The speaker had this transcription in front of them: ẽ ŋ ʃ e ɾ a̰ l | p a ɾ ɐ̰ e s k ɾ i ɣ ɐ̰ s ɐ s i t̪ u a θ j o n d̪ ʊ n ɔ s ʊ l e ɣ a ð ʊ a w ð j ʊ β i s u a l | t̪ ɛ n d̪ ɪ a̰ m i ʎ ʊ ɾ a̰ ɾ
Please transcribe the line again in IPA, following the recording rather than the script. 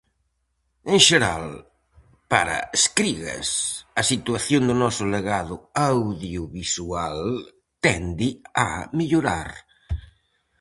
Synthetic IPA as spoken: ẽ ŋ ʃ e ɾ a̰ l | p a ɾ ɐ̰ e s k ɾ i ɣ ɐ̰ s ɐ s i t̪ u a θ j o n d̪ ʊ n ɔ s ʊ l e ɣ a ð ʊ a w ð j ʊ β i s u a l | t̪ ɛ n d̪ ɪ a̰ m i ʎ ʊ ɾ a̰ ɾ